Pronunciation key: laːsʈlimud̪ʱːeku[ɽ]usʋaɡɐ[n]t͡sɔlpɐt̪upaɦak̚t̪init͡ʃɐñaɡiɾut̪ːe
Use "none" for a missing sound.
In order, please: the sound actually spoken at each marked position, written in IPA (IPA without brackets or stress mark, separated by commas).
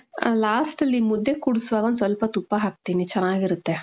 ɽ, n